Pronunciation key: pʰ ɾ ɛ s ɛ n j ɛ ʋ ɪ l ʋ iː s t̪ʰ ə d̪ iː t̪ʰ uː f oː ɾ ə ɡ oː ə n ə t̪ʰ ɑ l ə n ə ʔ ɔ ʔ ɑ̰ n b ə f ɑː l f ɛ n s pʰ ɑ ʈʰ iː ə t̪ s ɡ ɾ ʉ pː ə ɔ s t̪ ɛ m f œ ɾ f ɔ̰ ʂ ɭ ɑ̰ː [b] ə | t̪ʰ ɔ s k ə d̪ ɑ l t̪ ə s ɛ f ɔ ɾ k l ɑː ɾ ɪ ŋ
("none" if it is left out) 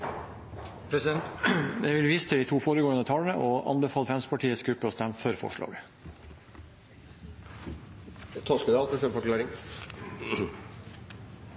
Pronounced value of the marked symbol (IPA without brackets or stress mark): ɡ